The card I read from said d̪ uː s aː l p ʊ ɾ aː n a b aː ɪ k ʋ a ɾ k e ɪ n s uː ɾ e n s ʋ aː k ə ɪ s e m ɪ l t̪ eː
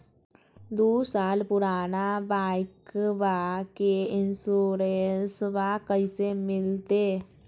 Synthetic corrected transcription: d̪ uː s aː l p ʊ ɾ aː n a b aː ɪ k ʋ a k e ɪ n s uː ɾ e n s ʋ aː k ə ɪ s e m ɪ l t̪ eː